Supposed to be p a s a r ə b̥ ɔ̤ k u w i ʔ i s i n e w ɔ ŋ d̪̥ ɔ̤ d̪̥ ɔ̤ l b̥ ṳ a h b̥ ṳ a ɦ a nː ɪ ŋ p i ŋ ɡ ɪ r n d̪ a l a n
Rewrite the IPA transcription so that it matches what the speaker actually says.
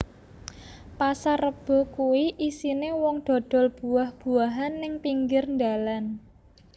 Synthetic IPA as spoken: p a s a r ə b̥ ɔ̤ k u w i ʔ i s i n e w ɔ ŋ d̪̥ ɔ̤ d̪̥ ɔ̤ l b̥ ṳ a h b̥ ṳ a ɦ a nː ɪ ŋ p i ŋ ɡ ɪ r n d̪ a l a n